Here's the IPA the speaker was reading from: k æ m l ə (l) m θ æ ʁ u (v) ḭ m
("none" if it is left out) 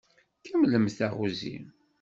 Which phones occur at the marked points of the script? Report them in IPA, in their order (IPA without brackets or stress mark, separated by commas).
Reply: none, z